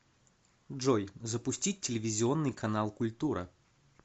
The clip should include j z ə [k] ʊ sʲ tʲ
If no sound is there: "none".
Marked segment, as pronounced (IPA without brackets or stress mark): p